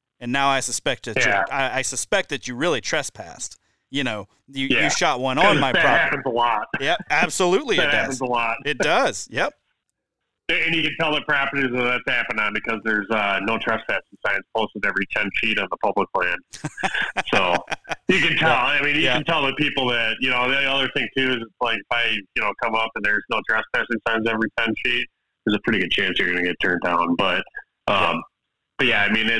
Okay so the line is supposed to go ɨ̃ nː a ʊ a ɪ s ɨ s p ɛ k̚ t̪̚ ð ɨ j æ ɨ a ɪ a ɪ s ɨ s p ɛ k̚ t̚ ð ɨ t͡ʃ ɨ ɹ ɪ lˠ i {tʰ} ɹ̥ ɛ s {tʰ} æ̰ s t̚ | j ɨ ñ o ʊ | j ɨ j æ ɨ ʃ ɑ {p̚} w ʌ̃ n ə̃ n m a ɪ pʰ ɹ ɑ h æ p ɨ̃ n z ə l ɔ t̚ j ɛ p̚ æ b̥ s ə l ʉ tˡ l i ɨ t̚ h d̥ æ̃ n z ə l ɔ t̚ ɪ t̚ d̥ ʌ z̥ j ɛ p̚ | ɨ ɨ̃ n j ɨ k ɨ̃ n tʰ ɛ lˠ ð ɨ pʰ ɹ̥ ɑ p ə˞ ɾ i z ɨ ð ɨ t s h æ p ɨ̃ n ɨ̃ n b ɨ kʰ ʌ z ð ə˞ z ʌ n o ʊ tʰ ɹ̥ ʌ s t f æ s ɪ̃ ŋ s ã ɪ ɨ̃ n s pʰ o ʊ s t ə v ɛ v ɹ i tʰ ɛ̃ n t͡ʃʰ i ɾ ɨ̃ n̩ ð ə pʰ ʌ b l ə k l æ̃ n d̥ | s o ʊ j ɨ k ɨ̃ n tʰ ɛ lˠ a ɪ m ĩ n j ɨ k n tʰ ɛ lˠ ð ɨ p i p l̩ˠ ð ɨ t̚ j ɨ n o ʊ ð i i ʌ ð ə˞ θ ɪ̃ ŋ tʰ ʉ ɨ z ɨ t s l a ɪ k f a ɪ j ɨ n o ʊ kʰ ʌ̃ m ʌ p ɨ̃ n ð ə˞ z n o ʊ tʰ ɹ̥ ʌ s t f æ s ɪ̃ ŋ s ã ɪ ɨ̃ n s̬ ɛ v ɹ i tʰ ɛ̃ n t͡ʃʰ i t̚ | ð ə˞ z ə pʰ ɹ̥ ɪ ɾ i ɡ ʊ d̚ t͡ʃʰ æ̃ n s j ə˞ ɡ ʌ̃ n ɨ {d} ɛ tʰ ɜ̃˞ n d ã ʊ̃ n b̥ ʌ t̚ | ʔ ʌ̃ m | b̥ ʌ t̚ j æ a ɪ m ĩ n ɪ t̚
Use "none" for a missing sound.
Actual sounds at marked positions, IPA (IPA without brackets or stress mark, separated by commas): tʰ, pʰ, t̚, ɡ